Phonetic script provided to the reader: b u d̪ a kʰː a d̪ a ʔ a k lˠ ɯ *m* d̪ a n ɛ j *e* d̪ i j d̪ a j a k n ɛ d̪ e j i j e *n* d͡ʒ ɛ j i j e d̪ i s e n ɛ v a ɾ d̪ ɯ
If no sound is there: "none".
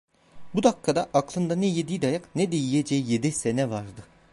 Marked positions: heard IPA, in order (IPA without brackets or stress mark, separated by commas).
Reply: n, e, none